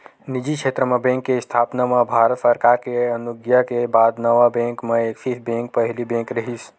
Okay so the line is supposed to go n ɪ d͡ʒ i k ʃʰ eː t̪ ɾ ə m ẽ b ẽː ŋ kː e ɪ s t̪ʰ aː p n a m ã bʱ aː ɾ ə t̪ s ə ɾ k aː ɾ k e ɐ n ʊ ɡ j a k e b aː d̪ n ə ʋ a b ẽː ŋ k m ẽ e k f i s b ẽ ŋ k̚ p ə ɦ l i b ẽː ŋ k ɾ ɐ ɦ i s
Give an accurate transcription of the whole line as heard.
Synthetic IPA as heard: n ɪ d͡ʒ i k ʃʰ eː t̪ ɾ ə m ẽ b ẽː ŋ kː e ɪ s t̪ʰ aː p n a m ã bʱ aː ɾ ə t̪ s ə ɾ k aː ɾ k e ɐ n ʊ ɡ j a k e b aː d̪ n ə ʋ a b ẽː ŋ k m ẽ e k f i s b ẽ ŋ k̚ p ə ɦ l i b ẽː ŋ k ɾ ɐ ɦ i s